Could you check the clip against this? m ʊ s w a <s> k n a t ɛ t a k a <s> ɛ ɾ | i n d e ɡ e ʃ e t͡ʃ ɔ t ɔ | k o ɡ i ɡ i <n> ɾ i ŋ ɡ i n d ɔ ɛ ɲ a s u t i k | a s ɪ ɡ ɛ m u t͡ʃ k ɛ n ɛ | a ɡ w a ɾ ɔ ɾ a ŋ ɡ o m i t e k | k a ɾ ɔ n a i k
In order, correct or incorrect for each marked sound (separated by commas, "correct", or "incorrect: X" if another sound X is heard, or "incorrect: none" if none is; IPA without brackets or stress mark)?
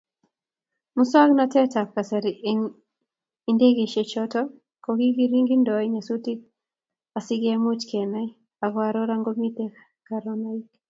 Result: incorrect: none, correct, incorrect: none